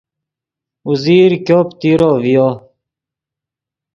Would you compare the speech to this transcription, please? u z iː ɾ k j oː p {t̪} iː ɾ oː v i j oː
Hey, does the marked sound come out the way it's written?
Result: yes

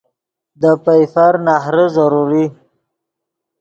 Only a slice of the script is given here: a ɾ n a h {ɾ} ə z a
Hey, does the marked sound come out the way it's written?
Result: yes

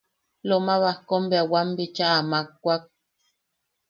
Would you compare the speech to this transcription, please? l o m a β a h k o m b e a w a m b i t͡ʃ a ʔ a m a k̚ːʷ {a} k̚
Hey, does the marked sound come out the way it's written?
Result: yes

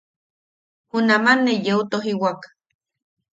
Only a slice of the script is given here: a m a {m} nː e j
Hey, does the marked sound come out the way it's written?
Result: no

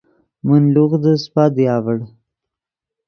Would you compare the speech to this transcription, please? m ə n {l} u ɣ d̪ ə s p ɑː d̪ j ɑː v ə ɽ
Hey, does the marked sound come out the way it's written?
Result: yes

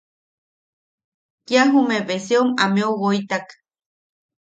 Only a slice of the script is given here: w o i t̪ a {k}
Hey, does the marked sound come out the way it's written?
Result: yes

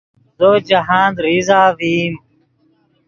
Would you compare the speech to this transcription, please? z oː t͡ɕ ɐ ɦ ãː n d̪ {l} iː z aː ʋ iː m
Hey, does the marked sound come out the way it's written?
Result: no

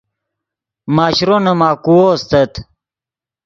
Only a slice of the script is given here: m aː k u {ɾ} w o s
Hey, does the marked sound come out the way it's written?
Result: no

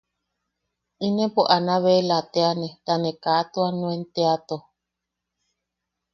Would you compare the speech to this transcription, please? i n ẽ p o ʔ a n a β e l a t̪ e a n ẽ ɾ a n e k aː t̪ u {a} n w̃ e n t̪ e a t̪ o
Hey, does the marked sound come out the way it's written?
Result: yes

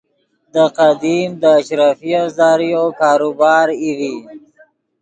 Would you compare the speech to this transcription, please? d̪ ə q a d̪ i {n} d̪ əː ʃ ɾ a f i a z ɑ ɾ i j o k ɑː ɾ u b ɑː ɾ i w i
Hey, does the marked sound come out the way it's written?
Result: no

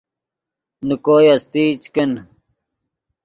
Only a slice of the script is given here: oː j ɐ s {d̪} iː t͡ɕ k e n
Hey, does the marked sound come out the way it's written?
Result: no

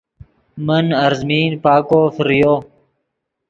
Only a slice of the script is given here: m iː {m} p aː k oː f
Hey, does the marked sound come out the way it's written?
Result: no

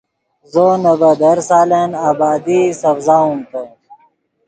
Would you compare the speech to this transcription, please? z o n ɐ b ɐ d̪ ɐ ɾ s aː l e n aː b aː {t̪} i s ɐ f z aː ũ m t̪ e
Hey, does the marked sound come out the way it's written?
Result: no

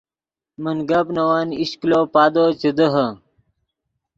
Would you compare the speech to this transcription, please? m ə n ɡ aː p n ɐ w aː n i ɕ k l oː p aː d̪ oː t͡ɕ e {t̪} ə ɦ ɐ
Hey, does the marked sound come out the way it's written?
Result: no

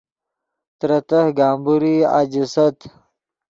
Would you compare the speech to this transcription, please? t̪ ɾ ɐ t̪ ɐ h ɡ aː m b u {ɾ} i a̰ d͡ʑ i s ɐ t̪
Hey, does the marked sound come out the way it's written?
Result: yes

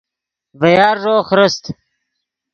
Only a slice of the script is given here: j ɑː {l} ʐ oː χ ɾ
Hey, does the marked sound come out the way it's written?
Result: no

